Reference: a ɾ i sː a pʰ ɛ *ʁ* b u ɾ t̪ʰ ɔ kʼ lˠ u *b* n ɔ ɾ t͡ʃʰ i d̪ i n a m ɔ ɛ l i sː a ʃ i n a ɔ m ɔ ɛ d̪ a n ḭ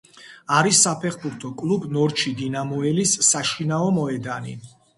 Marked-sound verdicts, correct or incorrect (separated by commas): incorrect, correct